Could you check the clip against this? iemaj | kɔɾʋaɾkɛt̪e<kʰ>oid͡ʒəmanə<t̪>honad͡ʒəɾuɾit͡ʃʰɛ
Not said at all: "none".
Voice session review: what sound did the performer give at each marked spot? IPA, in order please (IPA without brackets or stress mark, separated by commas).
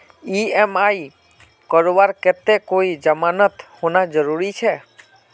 k, t̪